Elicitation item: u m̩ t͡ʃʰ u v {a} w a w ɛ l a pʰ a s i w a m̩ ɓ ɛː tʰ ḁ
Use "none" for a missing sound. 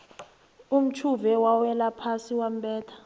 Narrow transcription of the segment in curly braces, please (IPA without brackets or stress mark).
ɛ